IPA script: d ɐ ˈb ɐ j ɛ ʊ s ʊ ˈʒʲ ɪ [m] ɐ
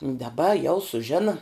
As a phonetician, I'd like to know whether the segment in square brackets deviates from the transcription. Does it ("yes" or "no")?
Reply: yes